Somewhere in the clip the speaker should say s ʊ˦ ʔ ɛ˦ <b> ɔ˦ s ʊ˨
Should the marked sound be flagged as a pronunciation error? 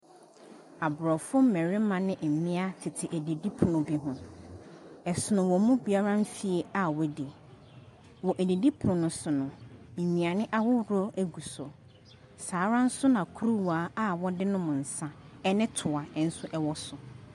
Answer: yes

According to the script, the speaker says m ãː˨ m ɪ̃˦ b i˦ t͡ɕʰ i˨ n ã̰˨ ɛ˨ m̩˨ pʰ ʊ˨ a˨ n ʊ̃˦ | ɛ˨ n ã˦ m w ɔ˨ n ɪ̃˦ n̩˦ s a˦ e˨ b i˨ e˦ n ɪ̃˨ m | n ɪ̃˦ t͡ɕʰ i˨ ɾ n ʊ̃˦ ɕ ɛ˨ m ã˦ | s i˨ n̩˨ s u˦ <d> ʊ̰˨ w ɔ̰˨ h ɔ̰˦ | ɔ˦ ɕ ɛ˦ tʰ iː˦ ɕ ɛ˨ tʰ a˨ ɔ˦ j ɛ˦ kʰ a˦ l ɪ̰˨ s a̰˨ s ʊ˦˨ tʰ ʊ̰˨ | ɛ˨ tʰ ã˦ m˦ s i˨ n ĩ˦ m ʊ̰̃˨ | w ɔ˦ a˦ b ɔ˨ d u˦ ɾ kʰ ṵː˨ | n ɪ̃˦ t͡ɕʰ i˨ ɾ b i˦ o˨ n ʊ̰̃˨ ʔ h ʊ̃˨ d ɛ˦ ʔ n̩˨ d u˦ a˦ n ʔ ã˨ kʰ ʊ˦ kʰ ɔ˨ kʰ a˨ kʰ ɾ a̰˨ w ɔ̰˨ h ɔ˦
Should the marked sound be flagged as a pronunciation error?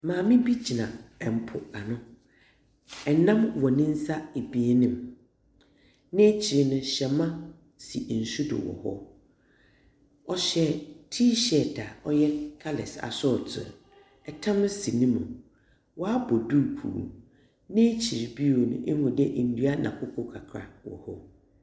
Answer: no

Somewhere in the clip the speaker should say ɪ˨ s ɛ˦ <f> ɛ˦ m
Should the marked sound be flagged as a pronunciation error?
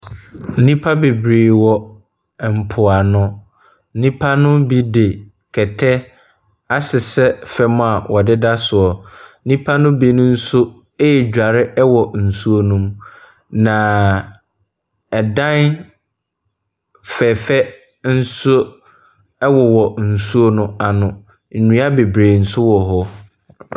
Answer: no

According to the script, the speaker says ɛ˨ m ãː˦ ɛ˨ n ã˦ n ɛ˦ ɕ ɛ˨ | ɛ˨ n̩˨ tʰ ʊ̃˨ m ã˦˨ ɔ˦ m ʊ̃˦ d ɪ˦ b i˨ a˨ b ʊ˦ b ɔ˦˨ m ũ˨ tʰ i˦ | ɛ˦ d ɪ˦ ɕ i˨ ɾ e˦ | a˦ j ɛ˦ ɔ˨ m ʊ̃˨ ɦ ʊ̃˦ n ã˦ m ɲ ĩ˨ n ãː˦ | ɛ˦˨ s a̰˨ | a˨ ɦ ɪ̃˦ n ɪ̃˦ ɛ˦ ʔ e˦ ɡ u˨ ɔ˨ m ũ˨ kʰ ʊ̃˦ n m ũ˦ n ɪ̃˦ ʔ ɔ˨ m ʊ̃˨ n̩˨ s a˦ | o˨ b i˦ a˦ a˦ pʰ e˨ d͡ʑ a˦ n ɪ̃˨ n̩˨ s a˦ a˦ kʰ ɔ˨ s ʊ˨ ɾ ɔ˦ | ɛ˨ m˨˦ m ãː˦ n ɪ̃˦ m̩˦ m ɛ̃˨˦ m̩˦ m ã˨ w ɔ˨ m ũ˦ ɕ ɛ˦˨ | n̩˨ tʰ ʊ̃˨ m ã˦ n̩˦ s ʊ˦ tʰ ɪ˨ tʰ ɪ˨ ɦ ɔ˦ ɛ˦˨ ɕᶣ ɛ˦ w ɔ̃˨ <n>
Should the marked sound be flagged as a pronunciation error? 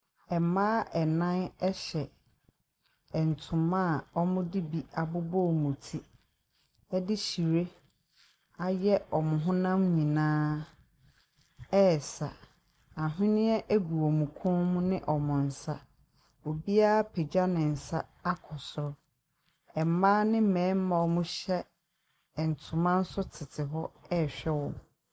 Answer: yes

